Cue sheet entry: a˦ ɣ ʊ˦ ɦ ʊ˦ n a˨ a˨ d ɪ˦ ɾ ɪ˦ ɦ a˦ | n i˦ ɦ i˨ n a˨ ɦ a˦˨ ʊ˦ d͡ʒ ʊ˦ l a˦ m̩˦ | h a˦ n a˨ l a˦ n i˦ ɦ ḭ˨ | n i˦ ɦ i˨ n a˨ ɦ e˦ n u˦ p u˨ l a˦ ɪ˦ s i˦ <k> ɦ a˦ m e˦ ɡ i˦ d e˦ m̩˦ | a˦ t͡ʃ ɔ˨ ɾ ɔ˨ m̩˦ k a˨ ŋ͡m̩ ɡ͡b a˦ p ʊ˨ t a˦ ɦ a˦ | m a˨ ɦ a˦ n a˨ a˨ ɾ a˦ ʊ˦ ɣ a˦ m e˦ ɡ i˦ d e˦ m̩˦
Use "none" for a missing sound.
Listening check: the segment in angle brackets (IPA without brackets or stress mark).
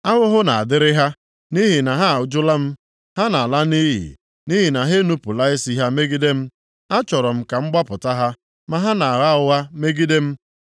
none